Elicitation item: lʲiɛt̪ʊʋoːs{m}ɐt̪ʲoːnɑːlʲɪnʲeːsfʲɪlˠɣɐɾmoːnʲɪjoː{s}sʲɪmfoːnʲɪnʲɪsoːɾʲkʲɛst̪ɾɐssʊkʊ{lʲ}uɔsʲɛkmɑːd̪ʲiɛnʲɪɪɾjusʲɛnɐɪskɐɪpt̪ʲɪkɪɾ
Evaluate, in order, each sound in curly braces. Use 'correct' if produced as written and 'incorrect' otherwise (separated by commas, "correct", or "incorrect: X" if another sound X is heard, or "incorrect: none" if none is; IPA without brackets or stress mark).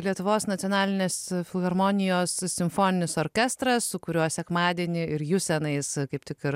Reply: incorrect: n, correct, incorrect: ɾʲ